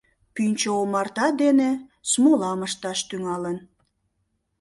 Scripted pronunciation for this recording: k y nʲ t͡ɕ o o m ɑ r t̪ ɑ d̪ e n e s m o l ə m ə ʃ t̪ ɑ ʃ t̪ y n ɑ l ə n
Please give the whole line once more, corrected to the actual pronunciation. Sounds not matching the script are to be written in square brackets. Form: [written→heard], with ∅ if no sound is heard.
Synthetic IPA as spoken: [k→p] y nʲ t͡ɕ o o m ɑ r t̪ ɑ d̪ e n e s m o l [ə→ɑ] m ə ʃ t̪ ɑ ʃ t̪ y [n→ŋ] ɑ l ə n